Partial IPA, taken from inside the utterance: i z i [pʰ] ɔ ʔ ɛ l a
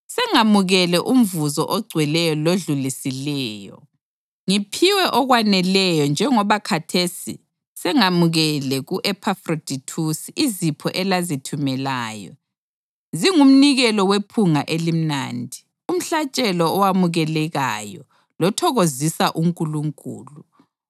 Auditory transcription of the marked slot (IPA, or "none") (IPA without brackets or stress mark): pʰ